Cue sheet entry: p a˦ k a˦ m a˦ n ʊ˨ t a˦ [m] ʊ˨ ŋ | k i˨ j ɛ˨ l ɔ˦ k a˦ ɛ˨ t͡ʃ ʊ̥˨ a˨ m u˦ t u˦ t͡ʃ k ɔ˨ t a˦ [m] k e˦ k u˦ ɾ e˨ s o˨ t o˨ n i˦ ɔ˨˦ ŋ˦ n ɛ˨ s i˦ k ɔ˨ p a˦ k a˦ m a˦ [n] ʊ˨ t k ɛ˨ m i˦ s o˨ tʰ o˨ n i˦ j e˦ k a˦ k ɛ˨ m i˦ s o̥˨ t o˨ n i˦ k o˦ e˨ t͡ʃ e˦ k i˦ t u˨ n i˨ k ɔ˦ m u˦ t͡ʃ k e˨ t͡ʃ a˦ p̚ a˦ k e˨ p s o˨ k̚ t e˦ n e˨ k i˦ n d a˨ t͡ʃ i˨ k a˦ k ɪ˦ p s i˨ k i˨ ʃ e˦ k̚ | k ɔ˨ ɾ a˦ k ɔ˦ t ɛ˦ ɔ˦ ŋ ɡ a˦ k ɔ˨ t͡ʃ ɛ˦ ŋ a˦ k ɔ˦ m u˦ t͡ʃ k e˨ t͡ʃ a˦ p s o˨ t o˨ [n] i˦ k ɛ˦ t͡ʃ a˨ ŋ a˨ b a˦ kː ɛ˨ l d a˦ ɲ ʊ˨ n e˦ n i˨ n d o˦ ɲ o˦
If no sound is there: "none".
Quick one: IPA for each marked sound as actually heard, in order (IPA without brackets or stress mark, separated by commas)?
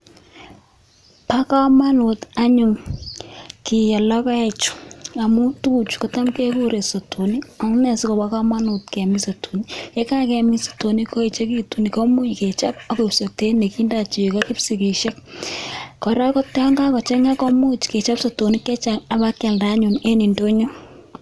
ɲ, m, n, n